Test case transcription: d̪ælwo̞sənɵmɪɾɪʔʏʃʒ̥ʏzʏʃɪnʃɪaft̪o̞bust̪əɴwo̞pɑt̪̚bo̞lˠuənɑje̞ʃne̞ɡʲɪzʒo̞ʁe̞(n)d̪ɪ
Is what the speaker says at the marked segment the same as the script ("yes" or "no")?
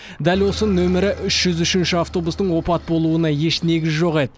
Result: no